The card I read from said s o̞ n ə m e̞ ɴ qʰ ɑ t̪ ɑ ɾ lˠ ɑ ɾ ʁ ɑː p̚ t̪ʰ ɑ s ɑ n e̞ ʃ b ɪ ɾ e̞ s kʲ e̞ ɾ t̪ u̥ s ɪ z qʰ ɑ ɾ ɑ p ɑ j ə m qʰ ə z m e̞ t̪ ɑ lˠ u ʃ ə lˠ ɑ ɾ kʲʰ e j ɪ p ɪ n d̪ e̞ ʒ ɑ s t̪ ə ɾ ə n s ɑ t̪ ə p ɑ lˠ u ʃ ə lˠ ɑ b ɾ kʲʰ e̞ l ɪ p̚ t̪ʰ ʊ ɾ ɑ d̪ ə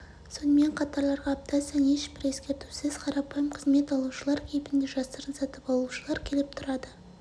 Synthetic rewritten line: s o̞ n ə m e̞ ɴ qʰ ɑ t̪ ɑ ɾ lˠ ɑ ɾ ʁ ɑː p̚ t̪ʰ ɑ s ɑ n e̞ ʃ b ɪ ɾ e̞ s kʲ e̞ ɾ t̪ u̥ s ɪ z qʰ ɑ ɾ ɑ p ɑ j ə m qʰ ə z m e̞ t̪ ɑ lˠ u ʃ ə lˠ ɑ ɾ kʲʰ e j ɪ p ɪ n d̪ e̞ ʒ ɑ s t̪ ə ɾ ə n s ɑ t̪ ə p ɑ lˠ u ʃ ə lˠ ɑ ɾ kʲʰ e̞ l ɪ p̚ t̪ʰ ʊ ɾ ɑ d̪ ə